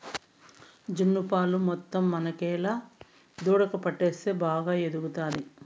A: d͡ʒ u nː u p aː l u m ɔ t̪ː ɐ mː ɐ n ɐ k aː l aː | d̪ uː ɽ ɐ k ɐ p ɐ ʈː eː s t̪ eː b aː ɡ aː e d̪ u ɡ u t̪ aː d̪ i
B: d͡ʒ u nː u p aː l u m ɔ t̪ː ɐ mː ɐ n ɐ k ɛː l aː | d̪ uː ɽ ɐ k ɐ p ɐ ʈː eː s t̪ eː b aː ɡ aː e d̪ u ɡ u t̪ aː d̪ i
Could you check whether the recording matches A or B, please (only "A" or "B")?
B